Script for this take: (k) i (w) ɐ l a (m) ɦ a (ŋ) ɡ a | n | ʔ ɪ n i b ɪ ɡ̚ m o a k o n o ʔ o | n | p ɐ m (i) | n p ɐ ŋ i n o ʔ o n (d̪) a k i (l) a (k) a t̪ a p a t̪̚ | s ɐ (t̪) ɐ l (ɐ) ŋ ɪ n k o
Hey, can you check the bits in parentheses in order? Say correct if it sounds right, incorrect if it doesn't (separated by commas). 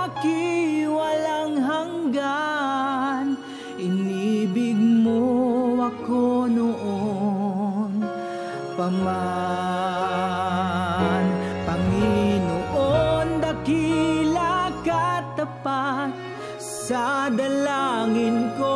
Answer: correct, correct, incorrect, correct, incorrect, correct, correct, correct, incorrect, incorrect